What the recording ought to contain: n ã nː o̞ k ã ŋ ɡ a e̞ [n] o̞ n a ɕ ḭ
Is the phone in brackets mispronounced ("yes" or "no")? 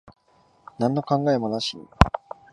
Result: yes